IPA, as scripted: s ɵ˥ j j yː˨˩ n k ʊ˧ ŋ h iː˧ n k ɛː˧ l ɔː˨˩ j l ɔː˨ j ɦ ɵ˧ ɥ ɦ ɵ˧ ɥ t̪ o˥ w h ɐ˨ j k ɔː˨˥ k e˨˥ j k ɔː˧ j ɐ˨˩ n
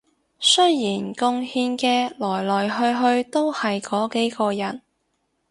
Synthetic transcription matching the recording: s ɵ˥ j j iː˨˩ n k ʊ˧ ŋ h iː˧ n k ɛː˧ l ɔː˨˩ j l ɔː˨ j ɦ ɵ˧ ɥ ɦ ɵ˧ ɥ t̪ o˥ w h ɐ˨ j k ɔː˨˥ k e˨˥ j k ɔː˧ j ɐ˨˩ n